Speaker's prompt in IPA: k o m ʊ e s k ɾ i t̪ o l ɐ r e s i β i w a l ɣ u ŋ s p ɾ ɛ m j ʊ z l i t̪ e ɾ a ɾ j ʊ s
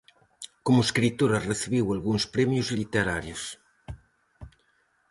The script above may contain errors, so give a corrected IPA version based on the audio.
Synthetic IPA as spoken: k o m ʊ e s k ɾ i t̪ o ɾ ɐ r e θ i β i w a l ɣ u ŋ s p ɾ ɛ m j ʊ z l i t̪ e ɾ a ɾ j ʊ s